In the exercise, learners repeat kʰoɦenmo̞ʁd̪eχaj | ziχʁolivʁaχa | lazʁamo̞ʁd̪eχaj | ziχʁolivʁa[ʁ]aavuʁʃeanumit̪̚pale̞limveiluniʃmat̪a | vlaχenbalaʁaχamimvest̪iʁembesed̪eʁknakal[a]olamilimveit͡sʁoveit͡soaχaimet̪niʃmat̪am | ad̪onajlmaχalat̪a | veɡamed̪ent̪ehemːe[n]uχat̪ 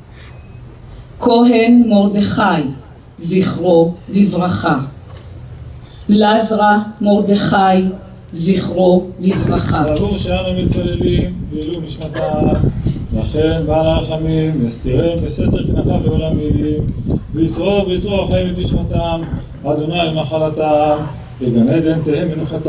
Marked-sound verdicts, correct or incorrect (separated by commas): incorrect, incorrect, correct